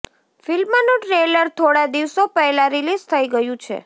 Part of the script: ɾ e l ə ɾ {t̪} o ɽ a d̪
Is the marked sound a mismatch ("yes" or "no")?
yes